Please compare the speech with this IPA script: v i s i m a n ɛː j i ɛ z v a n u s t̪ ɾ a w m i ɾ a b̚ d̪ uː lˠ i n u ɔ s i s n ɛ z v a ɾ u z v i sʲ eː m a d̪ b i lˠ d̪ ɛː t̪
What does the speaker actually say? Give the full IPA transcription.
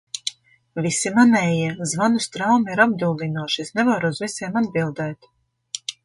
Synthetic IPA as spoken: v i s i m a n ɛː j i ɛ z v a n u s t̪ ɾ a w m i ɾ a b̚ d̪ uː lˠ i n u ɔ ʃ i s n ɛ v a ɾ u z v i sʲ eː m a d̪ b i lˠ d̪ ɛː t̪